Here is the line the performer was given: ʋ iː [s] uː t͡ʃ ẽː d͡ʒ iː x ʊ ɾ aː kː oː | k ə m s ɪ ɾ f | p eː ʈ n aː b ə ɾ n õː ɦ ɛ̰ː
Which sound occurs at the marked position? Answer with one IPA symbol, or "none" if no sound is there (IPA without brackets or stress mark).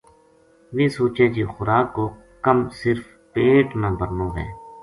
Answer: s